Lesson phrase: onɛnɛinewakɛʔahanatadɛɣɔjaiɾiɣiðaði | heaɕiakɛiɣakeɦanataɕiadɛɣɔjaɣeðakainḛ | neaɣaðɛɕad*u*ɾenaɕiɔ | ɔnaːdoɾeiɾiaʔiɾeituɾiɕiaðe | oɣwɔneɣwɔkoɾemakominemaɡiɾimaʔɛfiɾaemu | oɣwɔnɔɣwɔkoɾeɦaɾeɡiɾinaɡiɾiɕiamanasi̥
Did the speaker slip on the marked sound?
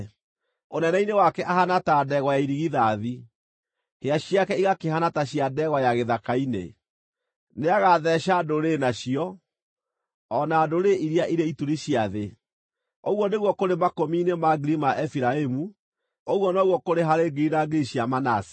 yes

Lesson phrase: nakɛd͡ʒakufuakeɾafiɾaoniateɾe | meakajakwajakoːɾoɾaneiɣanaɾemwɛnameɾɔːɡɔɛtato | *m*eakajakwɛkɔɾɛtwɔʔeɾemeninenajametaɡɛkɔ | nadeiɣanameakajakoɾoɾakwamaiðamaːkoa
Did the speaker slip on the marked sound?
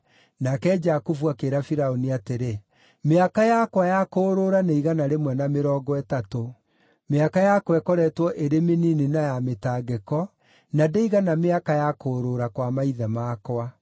no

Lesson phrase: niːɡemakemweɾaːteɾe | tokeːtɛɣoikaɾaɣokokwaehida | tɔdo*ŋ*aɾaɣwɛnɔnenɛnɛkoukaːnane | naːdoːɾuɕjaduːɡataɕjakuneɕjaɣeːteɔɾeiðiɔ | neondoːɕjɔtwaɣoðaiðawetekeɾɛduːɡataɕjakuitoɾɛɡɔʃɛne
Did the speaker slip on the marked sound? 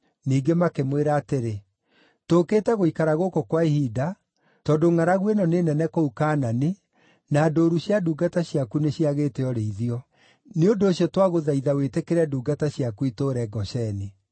no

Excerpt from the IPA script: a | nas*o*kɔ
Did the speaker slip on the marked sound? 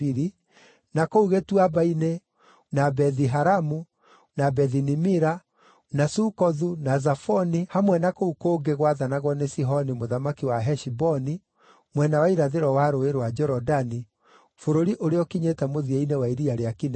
yes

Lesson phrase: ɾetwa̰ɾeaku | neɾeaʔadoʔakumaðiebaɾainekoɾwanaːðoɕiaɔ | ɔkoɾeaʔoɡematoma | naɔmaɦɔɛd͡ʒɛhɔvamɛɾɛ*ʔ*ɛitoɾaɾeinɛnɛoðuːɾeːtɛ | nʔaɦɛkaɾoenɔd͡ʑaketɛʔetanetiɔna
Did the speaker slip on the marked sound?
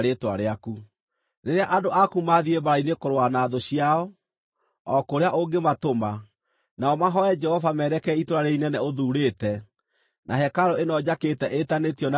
yes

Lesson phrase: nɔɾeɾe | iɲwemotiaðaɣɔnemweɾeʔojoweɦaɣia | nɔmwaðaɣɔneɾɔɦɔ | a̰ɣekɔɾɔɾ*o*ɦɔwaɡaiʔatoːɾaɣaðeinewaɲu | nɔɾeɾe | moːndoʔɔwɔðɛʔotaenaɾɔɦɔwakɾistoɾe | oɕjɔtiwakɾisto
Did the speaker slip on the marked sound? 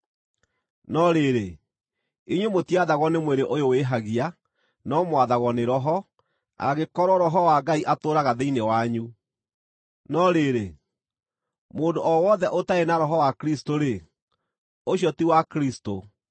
yes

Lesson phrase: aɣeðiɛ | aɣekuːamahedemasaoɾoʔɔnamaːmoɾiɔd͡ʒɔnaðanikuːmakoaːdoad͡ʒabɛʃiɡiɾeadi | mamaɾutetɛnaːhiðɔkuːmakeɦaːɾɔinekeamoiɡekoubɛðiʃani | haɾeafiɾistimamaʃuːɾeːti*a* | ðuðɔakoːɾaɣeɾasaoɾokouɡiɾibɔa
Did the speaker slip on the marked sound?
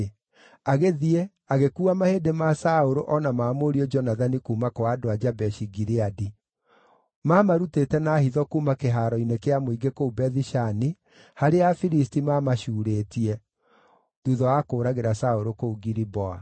yes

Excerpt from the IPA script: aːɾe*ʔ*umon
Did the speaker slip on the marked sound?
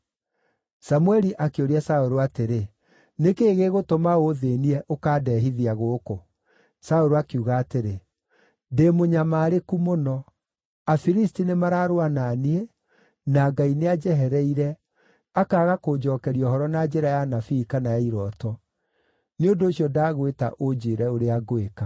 yes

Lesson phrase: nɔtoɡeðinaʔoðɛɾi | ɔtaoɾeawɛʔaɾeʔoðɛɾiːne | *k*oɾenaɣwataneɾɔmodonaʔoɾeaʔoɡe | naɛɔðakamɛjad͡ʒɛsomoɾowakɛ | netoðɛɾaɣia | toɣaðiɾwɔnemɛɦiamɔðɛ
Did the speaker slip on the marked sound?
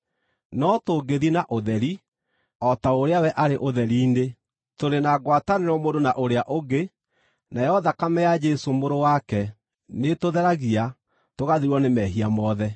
yes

